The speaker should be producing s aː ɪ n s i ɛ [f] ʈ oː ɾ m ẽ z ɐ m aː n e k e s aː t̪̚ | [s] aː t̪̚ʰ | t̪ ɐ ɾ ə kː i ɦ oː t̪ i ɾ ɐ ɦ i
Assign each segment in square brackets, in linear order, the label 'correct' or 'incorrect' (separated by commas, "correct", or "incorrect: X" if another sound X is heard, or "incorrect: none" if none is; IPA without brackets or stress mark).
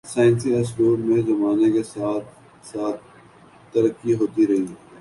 incorrect: s, correct